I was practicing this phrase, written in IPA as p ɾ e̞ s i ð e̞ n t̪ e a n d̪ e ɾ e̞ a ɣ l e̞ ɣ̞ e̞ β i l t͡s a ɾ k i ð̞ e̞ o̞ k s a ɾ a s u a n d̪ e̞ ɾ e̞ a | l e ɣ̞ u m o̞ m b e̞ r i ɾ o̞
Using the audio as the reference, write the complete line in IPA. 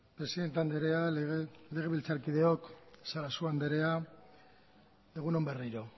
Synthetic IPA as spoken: p ɾ e̞ s i ð e̞ n t̪ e a n d̪ e ɾ e̞ a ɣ l e̞ ɣ̞ e̞ β i l t͡s a ɾ k i ð̞ e̞ o̞ k s a ɾ a s u a n d̪ e̞ ɾ e̞ a | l e ɣ̞ u n o̞ m b e̞ r i ɾ o̞